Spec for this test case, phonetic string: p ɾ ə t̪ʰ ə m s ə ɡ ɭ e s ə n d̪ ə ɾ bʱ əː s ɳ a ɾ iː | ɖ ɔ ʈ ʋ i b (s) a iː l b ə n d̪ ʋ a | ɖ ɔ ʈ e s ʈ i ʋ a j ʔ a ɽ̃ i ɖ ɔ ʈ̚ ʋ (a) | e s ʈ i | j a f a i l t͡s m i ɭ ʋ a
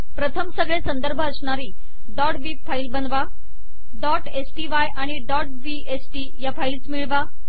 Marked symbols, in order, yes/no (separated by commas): no, no